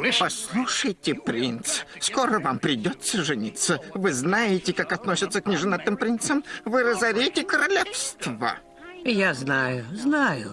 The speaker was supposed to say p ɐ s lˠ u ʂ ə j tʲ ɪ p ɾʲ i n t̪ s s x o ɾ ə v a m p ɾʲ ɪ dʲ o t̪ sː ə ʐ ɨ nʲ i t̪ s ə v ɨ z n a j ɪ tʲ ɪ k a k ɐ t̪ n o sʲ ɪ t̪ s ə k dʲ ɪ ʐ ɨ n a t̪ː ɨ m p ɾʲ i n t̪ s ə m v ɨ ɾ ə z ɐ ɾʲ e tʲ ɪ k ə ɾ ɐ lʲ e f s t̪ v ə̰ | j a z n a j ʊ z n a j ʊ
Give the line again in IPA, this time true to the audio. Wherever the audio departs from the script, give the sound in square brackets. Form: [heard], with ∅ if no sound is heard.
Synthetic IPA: p ɐ s lˠ u ʂ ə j tʲ ɪ p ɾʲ i n t̪ s s [k] o ɾ ə v a m p ɾʲ ɪ dʲ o t̪ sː ə ʐ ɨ nʲ i t̪ s ə v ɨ z n a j ɪ tʲ ɪ k a k ɐ t̪ n o sʲ ɪ t̪ s ə k [nʲ] ɪ ʐ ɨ n a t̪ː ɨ m p ɾʲ i n t̪ s ə m v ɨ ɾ ə z ɐ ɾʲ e tʲ ɪ k ə ɾ ɐ lʲ e f s t̪ v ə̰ | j a z n a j ʊ z n a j ʊ

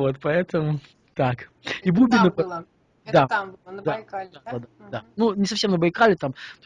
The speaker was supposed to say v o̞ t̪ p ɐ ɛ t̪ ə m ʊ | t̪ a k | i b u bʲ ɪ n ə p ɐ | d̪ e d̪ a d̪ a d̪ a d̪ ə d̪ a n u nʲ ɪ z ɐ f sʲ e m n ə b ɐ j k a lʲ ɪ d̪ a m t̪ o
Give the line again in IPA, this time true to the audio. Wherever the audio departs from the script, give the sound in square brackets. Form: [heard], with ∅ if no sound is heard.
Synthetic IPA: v o̞ t̪ p ɐ ɛ t̪ ə m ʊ | t̪ a k | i b u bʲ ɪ n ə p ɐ | d̪ [a] d̪ a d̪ a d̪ a d̪ [a] d̪ a n u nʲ ɪ [s] ɐ f sʲ e m n ə b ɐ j k a lʲ ɪ [t̪] a m t̪ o

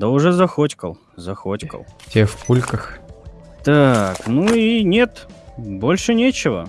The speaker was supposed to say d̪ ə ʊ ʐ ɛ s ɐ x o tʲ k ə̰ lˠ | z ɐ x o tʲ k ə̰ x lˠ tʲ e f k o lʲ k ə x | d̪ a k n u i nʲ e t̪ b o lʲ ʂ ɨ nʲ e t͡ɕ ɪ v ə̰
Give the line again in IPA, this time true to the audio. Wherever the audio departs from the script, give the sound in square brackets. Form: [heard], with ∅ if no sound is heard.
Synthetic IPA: d̪ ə ʊ ʐ ɛ [z] ɐ x o tʲ k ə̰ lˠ | z ɐ x o tʲ k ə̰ [∅] lˠ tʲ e f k [u] lʲ k ə x | [t̪] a k n u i nʲ e t̪ b o lʲ ʂ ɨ nʲ e t͡ɕ ɪ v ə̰

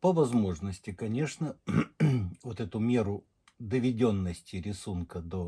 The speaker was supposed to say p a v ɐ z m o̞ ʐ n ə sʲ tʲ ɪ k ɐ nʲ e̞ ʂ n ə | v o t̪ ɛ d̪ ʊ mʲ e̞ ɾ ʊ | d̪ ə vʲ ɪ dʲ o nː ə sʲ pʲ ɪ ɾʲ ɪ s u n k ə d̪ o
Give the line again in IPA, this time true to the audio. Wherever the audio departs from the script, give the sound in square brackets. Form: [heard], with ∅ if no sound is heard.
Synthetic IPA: p [ə] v ɐ z m o̞ ʐ n ə sʲ tʲ ɪ k ɐ nʲ e̞ ʂ n ə | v o t̪ ɛ [t̪] ʊ mʲ e̞ ɾ ʊ | d̪ ə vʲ ɪ dʲ o nː ə sʲ [tʲ] ɪ ɾʲ ɪ s u n k ə d̪ o

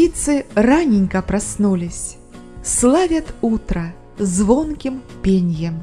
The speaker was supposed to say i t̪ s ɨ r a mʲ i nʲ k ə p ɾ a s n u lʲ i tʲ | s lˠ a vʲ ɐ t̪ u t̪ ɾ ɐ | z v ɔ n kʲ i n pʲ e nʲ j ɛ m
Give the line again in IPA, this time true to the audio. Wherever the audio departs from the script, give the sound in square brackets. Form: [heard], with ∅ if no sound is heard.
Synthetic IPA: i t̪ s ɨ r a [nʲ] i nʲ k [ɐ] p ɾ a s n u lʲ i [sʲ] | s lˠ a vʲ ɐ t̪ u t̪ ɾ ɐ | z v ɔ n kʲ i [m] pʲ e nʲ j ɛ m

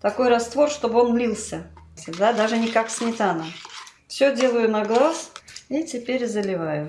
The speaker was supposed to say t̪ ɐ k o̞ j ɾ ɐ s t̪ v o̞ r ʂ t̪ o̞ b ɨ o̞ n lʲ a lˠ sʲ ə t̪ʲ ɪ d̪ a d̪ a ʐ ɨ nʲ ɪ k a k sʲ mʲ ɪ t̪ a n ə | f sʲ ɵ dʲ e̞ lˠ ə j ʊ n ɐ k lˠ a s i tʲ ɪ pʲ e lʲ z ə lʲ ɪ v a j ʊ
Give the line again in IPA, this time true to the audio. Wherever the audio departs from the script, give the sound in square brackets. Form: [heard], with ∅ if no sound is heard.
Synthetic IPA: t̪ ɐ k o̞ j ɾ ɐ s t̪ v o̞ r ʂ t̪ o̞ b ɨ o̞ n lʲ [i] lˠ sʲ ə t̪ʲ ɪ d̪ a d̪ a ʐ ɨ nʲ ɪ k a k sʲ mʲ ɪ t̪ a n ə | f sʲ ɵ dʲ e̞ lˠ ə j ʊ n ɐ [ɡ] lˠ a s i tʲ ɪ pʲ e [ɾʲ] z ə lʲ ɪ v a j ʊ

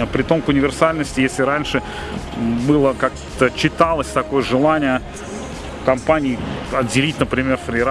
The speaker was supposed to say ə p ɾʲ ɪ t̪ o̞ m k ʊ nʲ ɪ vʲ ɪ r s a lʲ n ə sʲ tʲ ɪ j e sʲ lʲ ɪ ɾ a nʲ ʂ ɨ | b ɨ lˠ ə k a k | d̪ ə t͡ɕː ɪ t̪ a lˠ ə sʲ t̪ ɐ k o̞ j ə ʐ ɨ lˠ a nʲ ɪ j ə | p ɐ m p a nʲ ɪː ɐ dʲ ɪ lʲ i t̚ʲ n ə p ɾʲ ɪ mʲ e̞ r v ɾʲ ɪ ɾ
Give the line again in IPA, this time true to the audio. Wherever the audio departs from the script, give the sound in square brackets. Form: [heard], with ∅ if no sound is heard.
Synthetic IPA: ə p ɾʲ ɪ t̪ o̞ m k ʊ nʲ ɪ vʲ ɪ r s a lʲ n ə sʲ tʲ ɪ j e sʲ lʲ ɪ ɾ a nʲ ʂ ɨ | b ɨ lˠ ə k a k | [t̪] ə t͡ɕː ɪ t̪ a lˠ ə sʲ t̪ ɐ k o̞ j ə ʐ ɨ lˠ a nʲ ɪ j ə | [k] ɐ m p a nʲ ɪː ɐ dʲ ɪ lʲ i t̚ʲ n ə p ɾʲ ɪ mʲ e̞ r [f] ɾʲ ɪ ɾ

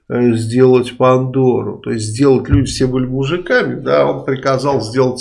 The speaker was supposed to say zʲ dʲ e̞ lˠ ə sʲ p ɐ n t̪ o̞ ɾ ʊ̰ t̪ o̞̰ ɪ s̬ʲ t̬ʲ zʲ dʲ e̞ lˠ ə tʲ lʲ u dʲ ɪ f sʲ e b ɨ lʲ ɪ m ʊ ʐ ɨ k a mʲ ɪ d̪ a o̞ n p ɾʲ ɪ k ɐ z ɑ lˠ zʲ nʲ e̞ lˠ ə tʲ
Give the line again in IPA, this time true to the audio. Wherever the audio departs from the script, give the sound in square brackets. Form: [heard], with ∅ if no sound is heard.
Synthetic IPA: zʲ dʲ e̞ lˠ ə [tʲ] p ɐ n [d̪] o̞ ɾ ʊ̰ t̪ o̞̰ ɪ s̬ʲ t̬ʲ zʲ dʲ e̞ lˠ ə tʲ lʲ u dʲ ɪ f sʲ e b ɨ lʲ ɪ m ʊ ʐ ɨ k a mʲ ɪ d̪ a o̞ n p ɾʲ ɪ k ɐ z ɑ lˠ zʲ [dʲ] e̞ lˠ ə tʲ

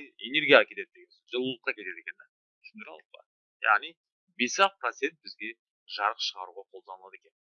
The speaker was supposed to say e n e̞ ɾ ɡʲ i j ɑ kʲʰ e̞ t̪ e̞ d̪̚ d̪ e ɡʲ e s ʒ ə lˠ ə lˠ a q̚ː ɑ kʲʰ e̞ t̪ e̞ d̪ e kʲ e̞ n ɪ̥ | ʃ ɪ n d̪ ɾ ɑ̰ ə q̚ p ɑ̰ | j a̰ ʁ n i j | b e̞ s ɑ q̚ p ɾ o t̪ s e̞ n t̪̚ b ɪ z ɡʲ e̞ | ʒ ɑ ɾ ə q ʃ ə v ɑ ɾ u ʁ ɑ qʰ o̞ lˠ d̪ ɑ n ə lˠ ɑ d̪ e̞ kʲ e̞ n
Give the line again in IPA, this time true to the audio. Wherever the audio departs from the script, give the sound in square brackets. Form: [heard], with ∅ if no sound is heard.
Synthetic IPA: e n e̞ ɾ ɡʲ i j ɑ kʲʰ e̞ t̪ e̞ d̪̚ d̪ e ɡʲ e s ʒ ə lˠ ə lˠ [ə] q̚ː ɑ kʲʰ e̞ t̪ e̞ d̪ e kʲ e̞ n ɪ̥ | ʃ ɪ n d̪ ɾ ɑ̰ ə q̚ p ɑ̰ | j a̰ ʁ n i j | b e̞ s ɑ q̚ p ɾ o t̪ s e̞ n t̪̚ b ɪ z ɡʲ e̞ | ʒ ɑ ɾ ə q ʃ ə [ʁ] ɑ ɾ u ʁ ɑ qʰ o̞ lˠ d̪ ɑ n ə lˠ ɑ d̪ e̞ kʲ e̞ n

